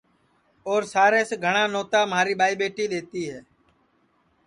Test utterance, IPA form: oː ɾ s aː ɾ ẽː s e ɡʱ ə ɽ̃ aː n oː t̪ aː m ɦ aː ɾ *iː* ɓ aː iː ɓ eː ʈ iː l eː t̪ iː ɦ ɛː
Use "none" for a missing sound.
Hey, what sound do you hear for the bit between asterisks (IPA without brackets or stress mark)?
iː